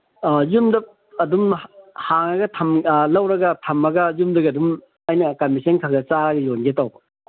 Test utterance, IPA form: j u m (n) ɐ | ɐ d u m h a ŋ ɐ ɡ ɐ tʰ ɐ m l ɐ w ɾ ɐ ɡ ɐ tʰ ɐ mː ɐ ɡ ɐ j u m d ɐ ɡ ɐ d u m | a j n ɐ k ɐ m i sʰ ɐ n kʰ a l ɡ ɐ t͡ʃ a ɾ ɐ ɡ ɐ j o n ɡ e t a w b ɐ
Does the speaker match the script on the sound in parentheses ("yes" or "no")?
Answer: no